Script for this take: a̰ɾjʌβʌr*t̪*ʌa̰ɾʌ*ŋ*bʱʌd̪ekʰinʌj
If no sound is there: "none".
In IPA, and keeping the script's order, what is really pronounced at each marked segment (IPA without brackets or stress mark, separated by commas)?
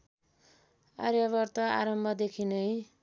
t̪, m